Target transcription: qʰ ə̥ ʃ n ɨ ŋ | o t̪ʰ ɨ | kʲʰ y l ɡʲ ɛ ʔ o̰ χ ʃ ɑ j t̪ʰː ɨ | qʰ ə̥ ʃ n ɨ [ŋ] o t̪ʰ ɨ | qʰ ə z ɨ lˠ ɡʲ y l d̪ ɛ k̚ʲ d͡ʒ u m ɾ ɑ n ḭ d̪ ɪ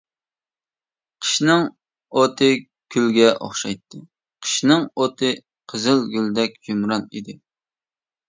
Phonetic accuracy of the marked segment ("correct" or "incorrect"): correct